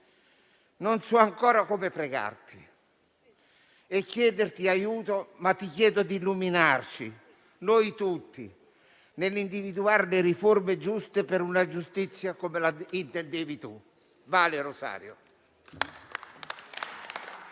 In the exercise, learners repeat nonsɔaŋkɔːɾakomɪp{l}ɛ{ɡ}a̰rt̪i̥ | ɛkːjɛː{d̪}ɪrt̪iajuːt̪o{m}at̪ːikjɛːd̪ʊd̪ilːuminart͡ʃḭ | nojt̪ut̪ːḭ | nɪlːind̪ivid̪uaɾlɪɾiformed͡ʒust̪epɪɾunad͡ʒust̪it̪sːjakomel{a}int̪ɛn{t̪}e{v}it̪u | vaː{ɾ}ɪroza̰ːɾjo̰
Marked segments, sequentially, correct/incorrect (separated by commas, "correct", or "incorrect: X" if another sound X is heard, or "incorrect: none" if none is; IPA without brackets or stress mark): incorrect: ɾ, correct, correct, correct, correct, incorrect: d̪, correct, incorrect: l